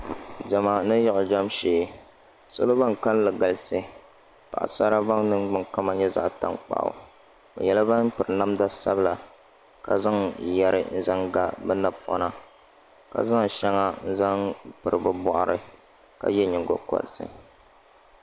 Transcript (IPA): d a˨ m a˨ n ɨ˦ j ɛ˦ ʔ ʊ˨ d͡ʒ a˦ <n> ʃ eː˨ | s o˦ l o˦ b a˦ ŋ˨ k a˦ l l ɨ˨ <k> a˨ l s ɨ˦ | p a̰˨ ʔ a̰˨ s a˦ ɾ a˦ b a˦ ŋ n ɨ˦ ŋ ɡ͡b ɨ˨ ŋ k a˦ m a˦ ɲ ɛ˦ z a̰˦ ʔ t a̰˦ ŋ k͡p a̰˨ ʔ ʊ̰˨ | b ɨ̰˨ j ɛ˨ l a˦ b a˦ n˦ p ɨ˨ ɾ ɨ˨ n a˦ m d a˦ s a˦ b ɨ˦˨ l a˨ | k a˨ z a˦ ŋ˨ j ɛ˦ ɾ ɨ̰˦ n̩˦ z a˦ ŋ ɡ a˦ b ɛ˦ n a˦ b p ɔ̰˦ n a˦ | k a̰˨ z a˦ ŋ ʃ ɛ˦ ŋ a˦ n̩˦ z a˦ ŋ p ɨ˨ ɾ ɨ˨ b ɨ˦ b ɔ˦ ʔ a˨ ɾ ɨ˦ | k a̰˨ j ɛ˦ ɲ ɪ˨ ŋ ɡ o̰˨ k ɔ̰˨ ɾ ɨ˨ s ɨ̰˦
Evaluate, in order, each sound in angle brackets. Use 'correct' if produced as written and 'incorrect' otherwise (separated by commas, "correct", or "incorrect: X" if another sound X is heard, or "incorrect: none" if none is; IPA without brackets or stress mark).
incorrect: m, incorrect: ɡ